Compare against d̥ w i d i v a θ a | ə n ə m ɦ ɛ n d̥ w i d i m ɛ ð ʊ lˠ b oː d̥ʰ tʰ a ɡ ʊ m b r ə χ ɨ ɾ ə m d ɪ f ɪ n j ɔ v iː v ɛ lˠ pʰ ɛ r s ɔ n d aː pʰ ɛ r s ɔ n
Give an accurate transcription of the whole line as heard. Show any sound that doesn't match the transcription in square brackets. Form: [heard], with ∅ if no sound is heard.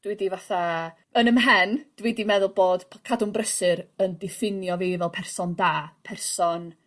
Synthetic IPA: d̥ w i d i v a θ a | ə n ə m ɦ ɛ n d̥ w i d i m ɛ ð ʊ lˠ b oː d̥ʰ [kʰ] a [d] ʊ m b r ə [s] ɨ ɾ ə [n] d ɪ f ɪ n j ɔ v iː v ɛ lˠ pʰ ɛ r s ɔ n d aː pʰ ɛ r s ɔ n